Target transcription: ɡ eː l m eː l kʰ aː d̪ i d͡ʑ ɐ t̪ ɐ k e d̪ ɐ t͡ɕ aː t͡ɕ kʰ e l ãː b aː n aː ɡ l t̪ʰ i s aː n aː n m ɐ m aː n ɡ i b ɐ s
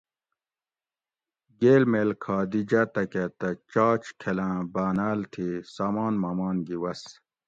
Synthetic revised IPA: ɡ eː l m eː l kʰ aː d̪ i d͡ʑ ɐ t̪ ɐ k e t̪ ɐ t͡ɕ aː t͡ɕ kʰ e l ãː b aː n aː l t̪ʰ i s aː m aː n m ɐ m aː n ɡ i w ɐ s